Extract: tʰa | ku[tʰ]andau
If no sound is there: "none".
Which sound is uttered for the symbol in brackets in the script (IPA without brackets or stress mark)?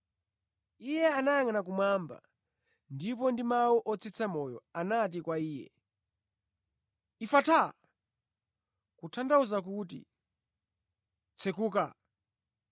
tʰ